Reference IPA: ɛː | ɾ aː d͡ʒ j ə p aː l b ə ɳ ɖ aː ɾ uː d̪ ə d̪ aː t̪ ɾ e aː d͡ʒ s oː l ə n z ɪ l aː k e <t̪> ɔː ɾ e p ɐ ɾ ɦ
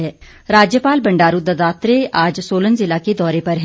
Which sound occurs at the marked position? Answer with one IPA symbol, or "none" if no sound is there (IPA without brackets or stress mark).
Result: d̪